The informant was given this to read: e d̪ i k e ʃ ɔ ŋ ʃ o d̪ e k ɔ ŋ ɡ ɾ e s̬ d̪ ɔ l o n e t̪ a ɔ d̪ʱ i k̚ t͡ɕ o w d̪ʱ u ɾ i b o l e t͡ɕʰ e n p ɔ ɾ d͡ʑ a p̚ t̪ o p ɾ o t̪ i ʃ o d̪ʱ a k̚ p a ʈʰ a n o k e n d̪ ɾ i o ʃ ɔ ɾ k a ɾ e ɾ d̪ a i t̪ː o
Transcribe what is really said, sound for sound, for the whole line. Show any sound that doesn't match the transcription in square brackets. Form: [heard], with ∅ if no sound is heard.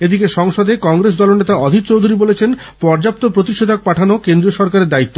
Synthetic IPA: e d̪ i k e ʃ ɔ ŋ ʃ o d̪ e k ɔ ŋ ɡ ɾ e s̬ d̪ ɔ l o n e t̪ a ɔ d̪ʱ i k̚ t͡ɕ o w d̪ʱ u ɾ i b o l e t͡ɕʰ e n p ɔ ɾ d͡ʑ a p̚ t̪ o p ɾ o t̪ i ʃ o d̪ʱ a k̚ p a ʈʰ a n o k e n d̪ ɾ i o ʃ ɔ ɾ k a ɾ e ɾ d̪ a i t̪ː o